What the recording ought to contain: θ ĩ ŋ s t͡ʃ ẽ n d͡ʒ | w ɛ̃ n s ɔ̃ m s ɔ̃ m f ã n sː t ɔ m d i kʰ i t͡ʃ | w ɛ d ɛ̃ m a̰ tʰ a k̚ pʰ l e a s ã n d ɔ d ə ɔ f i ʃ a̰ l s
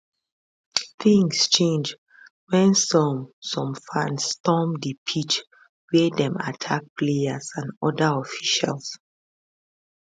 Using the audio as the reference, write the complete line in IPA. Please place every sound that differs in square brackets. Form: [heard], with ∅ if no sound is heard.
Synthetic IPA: θ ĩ ŋ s t͡ʃ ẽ n d͡ʒ | w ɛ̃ n s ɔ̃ m s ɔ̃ m f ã n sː t ɔ m d i [pʰ] i t͡ʃ | w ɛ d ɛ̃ m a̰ tʰ a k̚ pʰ l e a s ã n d ɔ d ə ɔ f i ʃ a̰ l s